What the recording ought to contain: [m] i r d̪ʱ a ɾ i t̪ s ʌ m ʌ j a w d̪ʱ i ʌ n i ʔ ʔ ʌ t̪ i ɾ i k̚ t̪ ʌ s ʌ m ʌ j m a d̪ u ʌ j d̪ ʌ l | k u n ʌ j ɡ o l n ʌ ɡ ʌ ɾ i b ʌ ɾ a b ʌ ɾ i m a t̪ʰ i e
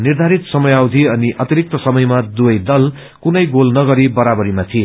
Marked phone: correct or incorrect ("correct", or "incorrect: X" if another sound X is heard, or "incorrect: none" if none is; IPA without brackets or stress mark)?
incorrect: n